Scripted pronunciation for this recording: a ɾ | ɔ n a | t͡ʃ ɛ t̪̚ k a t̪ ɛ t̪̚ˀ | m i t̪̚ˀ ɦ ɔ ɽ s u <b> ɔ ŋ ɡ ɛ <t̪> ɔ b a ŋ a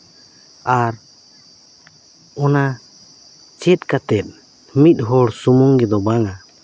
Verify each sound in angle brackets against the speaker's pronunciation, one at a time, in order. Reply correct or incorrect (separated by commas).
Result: incorrect, incorrect